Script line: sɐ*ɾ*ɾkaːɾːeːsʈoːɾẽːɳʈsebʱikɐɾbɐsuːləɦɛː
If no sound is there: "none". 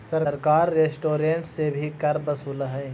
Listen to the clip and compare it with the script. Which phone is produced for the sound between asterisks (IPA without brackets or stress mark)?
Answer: ɾ